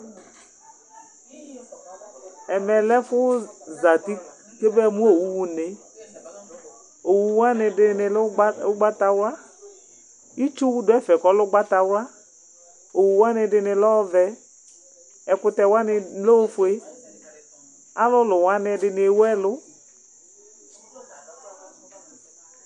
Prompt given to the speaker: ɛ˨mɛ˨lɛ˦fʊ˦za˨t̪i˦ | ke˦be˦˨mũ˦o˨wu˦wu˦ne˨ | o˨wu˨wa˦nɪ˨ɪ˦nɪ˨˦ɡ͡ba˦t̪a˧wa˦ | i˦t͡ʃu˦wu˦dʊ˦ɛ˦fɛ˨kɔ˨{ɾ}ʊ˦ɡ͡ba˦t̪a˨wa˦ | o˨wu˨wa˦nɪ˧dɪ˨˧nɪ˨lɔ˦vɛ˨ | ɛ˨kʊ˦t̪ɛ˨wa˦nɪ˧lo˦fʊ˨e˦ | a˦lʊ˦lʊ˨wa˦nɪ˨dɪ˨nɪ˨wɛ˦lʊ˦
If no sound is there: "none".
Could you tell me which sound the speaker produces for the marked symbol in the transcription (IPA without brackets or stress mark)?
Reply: l